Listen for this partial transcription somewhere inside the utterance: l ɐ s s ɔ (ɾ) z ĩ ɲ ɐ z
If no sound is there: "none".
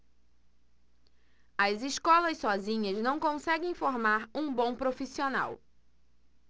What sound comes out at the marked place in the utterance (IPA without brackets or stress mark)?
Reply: none